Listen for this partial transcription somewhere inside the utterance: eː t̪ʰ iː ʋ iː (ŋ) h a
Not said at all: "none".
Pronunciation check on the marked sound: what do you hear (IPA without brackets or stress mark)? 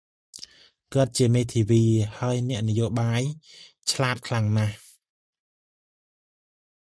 none